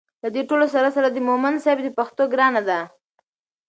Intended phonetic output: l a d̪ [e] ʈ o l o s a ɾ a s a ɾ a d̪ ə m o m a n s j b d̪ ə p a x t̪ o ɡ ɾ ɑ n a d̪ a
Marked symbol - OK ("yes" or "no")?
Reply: yes